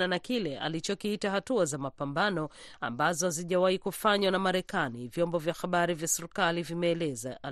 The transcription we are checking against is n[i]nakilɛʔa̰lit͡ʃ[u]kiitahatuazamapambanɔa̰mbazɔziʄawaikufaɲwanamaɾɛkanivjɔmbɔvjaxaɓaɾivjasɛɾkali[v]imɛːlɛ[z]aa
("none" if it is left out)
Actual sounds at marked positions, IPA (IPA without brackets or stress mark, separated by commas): a, ɔ, v, z